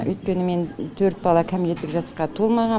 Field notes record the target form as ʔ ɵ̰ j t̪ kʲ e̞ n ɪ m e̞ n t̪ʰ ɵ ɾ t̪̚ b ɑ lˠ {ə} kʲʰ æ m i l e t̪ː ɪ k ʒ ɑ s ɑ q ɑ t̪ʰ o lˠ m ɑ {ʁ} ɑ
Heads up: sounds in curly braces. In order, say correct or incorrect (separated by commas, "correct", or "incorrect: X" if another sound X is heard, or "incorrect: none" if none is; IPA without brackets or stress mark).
incorrect: ɑ, correct